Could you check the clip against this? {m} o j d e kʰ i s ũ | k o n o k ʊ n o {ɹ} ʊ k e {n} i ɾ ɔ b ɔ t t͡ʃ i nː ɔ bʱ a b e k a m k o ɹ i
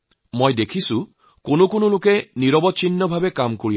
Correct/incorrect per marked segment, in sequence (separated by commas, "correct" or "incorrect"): correct, incorrect, correct